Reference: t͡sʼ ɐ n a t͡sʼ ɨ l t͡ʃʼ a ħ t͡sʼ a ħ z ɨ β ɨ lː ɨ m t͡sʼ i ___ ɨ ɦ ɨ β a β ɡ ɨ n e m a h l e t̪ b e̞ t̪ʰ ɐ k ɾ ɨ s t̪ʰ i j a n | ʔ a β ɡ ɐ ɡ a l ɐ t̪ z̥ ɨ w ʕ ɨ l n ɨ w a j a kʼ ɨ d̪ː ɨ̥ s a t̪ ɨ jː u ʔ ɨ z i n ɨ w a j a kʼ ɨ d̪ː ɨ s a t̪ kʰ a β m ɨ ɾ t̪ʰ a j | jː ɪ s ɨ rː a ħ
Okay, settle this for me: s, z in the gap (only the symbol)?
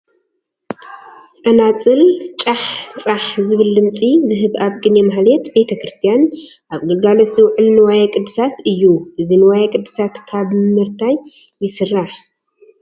z